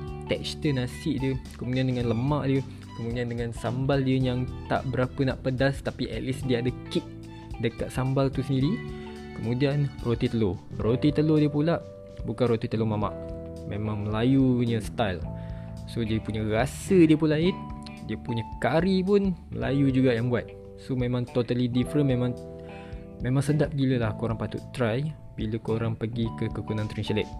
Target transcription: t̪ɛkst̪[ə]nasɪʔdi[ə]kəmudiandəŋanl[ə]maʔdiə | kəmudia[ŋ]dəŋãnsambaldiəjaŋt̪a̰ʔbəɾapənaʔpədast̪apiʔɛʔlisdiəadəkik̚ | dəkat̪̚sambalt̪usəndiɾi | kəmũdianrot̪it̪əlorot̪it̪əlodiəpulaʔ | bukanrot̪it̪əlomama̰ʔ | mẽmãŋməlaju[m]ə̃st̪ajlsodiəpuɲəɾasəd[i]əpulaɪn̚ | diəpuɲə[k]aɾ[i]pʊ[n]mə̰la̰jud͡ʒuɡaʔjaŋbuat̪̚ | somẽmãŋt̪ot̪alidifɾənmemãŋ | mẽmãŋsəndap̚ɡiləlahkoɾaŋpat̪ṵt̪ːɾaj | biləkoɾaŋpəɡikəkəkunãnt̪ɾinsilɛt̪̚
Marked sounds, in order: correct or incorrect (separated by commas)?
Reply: correct, correct, correct, incorrect, incorrect, correct, correct, correct, correct